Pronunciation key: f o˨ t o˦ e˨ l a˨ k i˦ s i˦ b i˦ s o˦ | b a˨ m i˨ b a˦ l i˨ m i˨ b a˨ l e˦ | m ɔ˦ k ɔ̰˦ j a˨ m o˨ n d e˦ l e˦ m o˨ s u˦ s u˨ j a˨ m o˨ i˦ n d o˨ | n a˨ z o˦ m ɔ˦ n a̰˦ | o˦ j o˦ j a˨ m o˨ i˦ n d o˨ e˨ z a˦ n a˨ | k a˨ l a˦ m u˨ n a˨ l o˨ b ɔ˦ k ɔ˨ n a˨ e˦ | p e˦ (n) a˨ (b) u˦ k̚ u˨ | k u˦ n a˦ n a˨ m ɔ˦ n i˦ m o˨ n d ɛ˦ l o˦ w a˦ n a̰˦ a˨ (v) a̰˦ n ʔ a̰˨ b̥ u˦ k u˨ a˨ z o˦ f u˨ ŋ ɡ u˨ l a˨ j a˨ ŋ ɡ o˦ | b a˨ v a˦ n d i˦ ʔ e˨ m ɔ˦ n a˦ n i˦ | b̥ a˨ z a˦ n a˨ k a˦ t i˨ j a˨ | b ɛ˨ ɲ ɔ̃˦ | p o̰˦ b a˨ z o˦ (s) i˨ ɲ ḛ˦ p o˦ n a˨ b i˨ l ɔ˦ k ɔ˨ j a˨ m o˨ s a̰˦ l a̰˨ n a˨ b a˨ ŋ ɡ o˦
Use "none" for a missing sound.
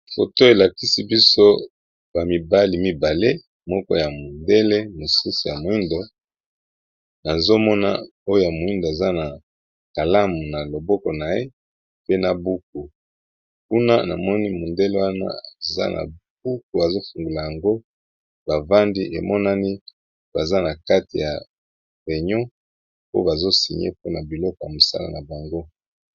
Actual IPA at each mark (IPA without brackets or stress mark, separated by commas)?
n, b, z, s